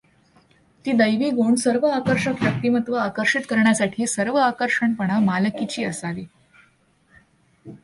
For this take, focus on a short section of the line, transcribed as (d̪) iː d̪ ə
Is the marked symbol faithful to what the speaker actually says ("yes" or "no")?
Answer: no